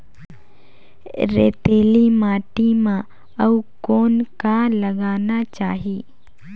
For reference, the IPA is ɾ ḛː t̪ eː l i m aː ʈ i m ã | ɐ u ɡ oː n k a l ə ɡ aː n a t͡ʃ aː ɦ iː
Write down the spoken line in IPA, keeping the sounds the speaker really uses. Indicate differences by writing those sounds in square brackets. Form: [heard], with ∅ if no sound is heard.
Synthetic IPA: ɾ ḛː t̪ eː l i m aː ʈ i m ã | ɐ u [k] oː n k a l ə ɡ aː n a t͡ʃ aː ɦ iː

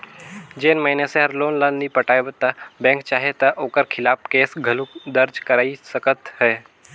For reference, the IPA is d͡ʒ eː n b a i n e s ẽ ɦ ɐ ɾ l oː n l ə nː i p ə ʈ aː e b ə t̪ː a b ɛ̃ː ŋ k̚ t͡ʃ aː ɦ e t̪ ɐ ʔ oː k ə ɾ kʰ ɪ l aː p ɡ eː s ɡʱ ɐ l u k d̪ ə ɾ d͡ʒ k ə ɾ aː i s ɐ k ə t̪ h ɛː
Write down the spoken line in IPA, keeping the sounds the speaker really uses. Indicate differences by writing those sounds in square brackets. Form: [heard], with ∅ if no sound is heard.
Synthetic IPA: d͡ʒ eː n [m] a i n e s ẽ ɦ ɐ ɾ l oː n l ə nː i p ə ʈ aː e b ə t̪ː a b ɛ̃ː ŋ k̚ t͡ʃ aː ɦ e t̪ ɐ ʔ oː k ə ɾ kʰ ɪ l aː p [k] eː s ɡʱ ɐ l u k d̪ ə ɾ d͡ʒ k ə ɾ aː i s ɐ k ə t̪ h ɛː

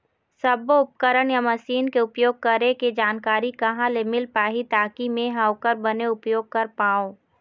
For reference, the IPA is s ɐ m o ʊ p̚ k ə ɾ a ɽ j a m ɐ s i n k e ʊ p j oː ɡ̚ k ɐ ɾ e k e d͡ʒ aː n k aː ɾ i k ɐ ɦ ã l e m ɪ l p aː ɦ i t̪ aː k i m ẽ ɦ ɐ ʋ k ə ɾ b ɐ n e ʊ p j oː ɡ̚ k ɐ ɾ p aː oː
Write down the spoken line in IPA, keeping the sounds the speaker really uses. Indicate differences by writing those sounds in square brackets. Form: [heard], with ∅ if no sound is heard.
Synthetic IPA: s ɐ [b] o ʊ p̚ k ə ɾ [ə] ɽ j a m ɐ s [iː] n k e ʊ p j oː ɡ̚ k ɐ ɾ e k e d͡ʒ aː n k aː ɾ i k ɐ ɦ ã l e m ɪ l p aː ɦ i t̪ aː k i m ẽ ɦ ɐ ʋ k ə ɾ b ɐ n e ʊ p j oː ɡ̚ k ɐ ɾ p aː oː

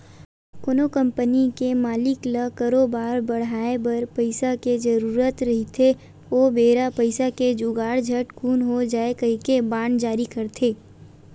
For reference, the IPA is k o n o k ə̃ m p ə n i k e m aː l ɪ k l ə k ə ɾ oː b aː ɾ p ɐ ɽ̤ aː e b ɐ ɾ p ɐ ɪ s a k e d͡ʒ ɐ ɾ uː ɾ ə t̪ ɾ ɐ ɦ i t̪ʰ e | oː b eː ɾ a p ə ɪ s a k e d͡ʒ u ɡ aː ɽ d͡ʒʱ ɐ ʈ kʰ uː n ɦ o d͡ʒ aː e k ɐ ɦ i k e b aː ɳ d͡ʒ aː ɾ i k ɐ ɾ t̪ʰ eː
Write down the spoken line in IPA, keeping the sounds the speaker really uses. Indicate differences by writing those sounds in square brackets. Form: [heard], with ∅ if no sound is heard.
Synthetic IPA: k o n o k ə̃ m p ə n i k e m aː l ɪ k l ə k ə ɾ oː b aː ɾ [b] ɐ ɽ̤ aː e b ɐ ɾ p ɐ ɪ s a k e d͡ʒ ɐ ɾ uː ɾ ə t̪ ɾ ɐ ɦ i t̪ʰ e | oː b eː ɾ a p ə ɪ s a k e d͡ʒ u ɡ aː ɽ d͡ʒʱ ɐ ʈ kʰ uː n ɦ o d͡ʒ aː e k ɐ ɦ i k e b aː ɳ d͡ʒ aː ɾ i k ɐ ɾ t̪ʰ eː

